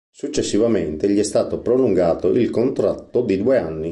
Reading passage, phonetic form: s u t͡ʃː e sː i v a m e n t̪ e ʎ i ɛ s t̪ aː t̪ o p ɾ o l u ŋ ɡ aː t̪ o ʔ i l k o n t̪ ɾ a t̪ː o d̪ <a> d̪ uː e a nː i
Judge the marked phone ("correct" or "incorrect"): incorrect